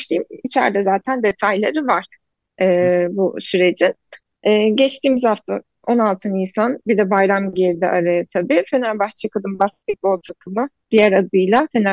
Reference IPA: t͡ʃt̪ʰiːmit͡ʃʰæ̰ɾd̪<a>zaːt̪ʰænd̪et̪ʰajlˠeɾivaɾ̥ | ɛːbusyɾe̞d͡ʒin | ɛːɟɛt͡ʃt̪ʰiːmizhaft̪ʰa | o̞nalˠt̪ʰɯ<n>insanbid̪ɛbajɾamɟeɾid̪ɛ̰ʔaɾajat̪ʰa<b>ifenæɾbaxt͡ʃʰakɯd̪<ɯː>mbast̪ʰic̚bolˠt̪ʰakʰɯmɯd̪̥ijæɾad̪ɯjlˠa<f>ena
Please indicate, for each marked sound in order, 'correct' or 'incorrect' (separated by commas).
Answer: incorrect, correct, correct, incorrect, correct